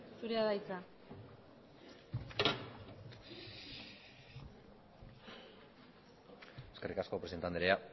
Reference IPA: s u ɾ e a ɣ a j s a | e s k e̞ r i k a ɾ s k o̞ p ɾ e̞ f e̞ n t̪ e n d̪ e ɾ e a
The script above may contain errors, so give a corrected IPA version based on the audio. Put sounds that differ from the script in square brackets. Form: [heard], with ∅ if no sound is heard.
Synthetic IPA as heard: s u ɾ e a [ð] a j [t͡s] a | e s k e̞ r i k a [∅] s k o̞ p ɾ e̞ [s] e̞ n t̪ [a] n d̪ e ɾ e a